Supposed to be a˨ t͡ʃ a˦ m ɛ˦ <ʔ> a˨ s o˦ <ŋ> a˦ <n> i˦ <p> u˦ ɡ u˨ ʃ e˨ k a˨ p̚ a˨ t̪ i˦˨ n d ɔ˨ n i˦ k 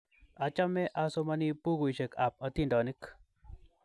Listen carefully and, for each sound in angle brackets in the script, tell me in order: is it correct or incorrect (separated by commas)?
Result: correct, incorrect, correct, correct